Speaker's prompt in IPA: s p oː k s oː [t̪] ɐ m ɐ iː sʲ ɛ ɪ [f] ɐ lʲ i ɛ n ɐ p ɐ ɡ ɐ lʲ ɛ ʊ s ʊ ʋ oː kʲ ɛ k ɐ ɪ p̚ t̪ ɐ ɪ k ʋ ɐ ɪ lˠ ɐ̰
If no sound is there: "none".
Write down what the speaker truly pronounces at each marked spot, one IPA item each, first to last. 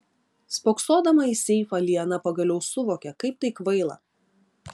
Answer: d̪, f

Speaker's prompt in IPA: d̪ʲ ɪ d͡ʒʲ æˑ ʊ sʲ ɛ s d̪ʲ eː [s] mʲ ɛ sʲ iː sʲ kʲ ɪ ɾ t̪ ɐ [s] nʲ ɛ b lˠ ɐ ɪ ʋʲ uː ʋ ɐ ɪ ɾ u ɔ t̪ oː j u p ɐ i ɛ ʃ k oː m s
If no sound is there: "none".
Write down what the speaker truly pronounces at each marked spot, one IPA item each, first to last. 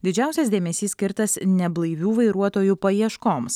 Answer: none, s

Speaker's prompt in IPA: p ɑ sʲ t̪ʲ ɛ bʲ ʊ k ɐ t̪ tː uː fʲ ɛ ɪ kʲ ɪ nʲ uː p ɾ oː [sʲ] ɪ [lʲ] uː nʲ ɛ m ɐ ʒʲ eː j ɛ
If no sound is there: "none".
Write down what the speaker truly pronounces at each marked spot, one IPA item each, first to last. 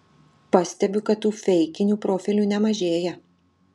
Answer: fʲ, lʲ

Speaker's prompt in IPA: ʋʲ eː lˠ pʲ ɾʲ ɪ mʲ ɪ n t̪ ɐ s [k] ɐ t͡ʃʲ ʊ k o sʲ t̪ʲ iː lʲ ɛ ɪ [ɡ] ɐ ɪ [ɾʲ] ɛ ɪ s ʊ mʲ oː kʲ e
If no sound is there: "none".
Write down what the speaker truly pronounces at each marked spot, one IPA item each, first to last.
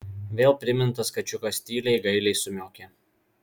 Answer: k, ɡ, lʲ

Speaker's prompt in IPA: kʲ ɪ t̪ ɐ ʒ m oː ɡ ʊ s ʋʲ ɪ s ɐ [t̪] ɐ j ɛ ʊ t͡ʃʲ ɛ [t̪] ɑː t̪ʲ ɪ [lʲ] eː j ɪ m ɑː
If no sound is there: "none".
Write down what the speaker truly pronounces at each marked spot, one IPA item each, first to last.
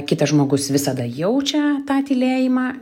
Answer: d̪, t̪, lʲ

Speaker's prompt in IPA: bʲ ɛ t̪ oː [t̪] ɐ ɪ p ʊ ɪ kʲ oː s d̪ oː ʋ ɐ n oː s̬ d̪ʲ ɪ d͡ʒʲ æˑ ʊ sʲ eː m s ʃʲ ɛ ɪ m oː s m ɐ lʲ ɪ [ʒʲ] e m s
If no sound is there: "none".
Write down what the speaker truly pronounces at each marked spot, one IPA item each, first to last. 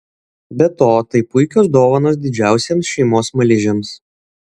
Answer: t̪, ʒʲ

